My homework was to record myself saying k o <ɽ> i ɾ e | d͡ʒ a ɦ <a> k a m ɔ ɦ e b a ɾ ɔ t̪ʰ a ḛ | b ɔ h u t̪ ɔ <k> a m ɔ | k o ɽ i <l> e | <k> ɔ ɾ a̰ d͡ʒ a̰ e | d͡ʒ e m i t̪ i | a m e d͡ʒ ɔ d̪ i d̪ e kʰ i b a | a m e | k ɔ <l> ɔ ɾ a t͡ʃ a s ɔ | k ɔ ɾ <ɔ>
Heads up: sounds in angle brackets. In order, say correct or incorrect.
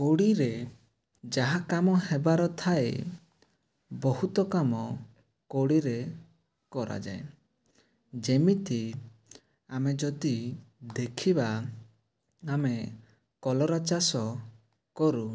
correct, correct, correct, incorrect: ɾ, correct, correct, incorrect: u

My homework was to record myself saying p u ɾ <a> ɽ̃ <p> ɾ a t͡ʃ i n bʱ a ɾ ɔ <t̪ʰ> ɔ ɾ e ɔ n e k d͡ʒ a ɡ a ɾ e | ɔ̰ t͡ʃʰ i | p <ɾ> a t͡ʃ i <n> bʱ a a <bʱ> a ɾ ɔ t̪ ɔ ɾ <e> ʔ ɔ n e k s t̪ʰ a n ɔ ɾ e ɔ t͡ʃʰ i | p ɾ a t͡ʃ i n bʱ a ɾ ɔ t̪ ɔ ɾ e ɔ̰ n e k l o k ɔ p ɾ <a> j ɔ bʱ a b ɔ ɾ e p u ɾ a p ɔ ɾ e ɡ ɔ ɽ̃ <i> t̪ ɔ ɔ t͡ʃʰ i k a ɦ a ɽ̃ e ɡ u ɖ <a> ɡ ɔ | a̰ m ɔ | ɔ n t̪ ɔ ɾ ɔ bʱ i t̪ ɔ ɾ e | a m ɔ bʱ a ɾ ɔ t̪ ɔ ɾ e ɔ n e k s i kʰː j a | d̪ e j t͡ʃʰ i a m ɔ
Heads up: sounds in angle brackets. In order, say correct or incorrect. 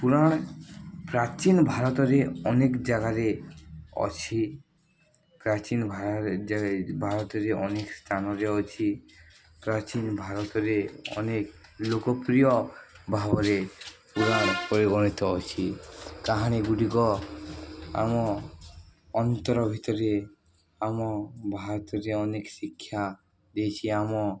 correct, correct, incorrect: t̪, correct, correct, correct, correct, incorrect: i, correct, incorrect: i

